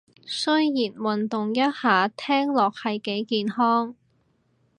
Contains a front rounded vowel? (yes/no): no